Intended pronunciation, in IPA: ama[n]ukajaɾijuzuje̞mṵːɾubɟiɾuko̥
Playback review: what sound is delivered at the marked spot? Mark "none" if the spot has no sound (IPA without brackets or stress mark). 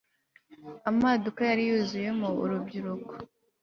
d